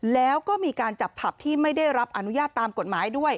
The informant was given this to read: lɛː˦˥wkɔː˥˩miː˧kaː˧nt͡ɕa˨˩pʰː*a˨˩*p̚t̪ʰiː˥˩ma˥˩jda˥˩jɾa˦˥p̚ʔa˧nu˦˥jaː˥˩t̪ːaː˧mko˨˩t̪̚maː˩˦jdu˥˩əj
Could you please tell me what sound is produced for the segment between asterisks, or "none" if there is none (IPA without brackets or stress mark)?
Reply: a˨˩